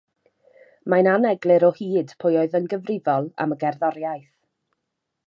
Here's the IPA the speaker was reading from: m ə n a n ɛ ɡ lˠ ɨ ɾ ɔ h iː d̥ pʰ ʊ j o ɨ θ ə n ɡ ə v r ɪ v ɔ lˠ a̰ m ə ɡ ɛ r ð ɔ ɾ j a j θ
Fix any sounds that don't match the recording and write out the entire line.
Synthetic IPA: m a n a n ɛ ɡ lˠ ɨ ɾ ɔ h iː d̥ pʰ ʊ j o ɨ ð ə n ɡ ə v r ɪ v ɔ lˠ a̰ m ə ɡ ɛ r ð ɔ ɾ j a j θ